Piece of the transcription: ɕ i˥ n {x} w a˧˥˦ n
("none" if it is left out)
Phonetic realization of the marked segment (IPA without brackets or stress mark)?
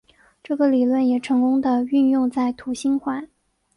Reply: x